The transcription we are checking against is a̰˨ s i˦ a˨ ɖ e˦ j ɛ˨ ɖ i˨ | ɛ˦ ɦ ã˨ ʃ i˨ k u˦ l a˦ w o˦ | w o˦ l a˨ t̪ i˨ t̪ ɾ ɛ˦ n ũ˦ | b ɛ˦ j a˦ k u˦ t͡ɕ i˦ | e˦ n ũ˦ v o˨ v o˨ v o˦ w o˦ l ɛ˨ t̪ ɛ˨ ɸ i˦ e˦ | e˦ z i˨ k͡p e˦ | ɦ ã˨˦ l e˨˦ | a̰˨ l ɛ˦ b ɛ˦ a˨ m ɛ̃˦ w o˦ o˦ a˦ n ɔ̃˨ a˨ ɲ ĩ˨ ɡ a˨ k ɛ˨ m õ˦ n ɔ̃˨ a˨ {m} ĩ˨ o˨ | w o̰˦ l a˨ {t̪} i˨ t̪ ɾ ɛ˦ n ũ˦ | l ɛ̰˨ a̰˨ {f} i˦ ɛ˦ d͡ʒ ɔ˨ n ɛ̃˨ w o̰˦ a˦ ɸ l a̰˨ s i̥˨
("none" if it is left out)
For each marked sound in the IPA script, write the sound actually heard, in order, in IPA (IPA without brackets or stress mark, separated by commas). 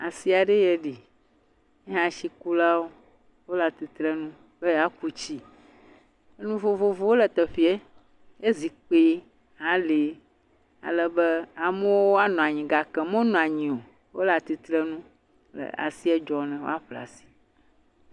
ɲ, t̪, s